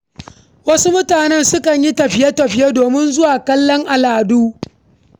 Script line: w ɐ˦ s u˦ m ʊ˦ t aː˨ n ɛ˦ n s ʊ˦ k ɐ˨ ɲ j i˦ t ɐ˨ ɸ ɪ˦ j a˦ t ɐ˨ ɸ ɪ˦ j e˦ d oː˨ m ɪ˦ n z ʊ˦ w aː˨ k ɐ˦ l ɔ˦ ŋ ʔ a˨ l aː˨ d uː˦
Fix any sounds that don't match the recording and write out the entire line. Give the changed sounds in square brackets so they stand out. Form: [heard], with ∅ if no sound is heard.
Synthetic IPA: w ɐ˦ s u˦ m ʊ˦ t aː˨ n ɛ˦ n s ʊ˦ k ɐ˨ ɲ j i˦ t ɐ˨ ɸ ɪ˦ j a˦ t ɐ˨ ɸ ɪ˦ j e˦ d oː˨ m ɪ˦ n z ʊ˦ w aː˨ k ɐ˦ [lː] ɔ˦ ŋ ʔ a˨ l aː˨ d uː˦

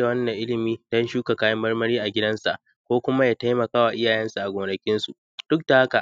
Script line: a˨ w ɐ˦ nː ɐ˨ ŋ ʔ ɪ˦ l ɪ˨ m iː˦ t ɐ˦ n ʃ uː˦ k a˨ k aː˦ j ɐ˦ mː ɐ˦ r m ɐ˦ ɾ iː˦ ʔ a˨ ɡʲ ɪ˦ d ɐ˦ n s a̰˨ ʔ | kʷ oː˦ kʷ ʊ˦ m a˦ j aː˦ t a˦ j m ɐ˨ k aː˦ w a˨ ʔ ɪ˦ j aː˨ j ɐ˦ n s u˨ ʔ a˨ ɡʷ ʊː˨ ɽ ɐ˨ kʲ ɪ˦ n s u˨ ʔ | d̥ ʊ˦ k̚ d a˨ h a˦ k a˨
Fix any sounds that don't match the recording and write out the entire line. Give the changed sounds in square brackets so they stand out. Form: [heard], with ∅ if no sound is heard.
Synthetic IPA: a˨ w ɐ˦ nː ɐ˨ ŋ ʔ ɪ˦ l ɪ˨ m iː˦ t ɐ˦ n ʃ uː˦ k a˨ k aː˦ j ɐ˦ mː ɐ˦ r m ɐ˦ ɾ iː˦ ʔ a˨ ɡʲ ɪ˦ d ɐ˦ n s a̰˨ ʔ | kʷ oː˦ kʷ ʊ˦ m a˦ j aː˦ t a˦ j m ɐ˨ k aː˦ w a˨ ʔ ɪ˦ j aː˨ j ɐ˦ n s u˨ ʔ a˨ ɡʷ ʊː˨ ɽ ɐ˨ kʲ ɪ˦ n s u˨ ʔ | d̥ ʊ˦ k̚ d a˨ h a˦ k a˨

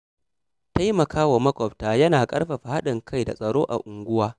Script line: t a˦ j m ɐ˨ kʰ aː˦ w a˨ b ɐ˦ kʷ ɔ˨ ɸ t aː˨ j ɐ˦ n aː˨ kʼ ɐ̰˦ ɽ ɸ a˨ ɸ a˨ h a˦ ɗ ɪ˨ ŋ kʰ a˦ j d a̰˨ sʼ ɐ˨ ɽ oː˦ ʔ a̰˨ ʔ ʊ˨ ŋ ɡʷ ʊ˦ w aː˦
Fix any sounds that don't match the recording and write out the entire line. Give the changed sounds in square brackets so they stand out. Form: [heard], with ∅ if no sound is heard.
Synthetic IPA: t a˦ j m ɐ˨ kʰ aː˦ w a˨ [m] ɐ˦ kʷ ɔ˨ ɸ t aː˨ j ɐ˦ n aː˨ kʼ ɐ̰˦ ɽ ɸ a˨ ɸ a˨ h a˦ ɗ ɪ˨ ŋ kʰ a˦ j d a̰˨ sʼ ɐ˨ ɽ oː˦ ʔ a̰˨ ʔ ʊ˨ ŋ ɡʷ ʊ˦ w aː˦

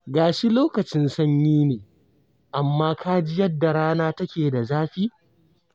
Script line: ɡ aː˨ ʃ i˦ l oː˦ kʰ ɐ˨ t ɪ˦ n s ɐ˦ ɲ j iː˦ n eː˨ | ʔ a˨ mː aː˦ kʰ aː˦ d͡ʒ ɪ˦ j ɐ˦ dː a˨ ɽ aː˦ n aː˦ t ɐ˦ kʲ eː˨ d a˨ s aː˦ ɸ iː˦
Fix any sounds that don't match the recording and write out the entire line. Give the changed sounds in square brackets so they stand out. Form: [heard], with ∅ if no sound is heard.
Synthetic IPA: ɡ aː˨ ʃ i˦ l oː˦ [k] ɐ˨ [t͡ʃ] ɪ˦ n s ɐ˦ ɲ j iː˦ n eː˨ | ʔ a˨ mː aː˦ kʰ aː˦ d͡ʒ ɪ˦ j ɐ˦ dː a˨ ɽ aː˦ n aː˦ t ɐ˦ kʲ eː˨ d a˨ [z] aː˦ ɸ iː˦

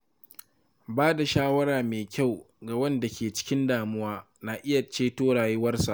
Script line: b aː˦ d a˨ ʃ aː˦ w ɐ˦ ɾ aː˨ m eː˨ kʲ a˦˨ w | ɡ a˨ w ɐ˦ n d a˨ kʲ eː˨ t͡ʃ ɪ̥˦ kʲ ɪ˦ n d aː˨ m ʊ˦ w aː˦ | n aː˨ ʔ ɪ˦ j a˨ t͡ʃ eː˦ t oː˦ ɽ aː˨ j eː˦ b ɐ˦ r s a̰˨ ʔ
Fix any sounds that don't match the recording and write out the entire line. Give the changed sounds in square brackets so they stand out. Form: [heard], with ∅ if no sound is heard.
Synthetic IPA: b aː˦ d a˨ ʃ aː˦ w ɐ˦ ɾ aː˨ m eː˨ kʲ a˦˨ w | ɡ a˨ w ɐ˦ n d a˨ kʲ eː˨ t͡ʃ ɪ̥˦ kʲ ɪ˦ n d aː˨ m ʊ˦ w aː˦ | n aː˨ ʔ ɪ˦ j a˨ t͡ʃ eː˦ t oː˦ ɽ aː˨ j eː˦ [w] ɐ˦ r s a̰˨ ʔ

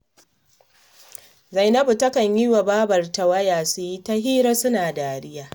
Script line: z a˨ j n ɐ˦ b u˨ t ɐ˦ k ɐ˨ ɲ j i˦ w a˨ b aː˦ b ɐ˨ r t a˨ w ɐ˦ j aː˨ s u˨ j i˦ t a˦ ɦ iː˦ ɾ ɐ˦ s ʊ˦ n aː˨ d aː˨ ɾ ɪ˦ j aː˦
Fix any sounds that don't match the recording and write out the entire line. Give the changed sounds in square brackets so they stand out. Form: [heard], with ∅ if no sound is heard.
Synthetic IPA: z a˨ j n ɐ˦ b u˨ t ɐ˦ k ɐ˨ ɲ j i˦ w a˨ b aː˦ b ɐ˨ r t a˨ w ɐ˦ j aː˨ s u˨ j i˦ t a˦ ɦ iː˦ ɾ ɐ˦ s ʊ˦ n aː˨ d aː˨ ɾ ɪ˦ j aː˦

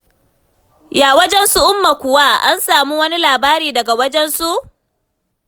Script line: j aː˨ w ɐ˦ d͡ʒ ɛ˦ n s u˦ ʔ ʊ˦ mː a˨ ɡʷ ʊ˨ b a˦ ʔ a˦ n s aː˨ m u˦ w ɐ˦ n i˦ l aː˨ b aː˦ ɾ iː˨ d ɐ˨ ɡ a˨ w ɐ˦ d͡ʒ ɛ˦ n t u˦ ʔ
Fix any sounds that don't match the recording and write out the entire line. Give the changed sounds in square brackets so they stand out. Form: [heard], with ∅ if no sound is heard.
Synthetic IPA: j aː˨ w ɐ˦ d͡ʒ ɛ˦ n s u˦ ʔ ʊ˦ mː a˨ [kʷ] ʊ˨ [w] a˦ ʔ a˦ n s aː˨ m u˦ w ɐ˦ n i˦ l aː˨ b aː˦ ɾ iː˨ d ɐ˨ ɡ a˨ w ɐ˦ d͡ʒ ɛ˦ n [s] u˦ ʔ

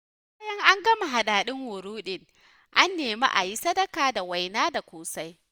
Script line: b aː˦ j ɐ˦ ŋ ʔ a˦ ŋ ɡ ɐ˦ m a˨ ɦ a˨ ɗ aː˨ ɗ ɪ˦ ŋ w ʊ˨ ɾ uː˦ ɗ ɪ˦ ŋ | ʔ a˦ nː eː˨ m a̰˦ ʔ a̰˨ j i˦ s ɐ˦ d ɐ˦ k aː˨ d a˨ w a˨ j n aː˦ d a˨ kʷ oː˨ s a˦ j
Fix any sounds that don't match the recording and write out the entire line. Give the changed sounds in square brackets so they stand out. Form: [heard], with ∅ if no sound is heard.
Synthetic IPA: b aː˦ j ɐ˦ ŋ ʔ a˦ ŋ ɡ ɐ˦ m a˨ ɦ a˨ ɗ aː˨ ɗ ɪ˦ ŋ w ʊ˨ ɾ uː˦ ɗ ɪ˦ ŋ | ʔ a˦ nː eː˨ m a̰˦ ʔ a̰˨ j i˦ s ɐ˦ d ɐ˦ k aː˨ d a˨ w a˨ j n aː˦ d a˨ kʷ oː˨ s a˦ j

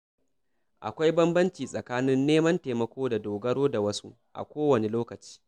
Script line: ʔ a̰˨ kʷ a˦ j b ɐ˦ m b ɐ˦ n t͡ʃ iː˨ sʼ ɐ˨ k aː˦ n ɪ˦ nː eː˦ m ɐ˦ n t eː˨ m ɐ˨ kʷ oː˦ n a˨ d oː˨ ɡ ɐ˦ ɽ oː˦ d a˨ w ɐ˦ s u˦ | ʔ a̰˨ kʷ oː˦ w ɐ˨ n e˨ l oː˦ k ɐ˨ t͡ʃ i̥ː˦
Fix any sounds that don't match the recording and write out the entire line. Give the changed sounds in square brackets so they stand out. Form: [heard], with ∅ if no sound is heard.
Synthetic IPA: ʔ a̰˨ kʷ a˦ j b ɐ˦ m b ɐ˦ n t͡ʃ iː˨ sʼ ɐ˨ k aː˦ n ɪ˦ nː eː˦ m ɐ˦ n t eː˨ m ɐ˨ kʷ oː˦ [d] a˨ d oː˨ ɡ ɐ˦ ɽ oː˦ d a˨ w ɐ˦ s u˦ | ʔ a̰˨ kʷ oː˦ w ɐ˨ n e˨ l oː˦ k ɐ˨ t͡ʃ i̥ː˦

